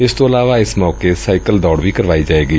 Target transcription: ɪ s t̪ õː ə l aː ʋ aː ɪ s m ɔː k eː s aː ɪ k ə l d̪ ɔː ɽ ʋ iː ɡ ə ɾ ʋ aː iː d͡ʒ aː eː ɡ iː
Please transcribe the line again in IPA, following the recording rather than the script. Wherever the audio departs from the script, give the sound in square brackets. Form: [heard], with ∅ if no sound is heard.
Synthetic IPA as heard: ɪ s t̪ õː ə l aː ʋ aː ɪ s m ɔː k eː s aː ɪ k ə l d̪ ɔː ɽ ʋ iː [k] ə ɾ ʋ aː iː d͡ʒ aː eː ɡ iː